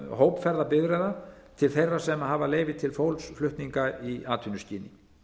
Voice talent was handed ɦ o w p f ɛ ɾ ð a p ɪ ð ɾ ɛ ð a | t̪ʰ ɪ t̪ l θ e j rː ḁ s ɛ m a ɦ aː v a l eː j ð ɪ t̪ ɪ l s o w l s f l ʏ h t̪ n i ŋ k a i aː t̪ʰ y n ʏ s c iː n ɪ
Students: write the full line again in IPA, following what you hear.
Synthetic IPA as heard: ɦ o w p f ɛ ɾ ð a p ɪ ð ɾ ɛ ð a | t̪ʰ ɪ l θ e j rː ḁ s ɛ m a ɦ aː v a l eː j v ɪ t̪ʰ ɪ l f o w l s f l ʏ h t̪ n i ŋ k a i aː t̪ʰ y n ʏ s c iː n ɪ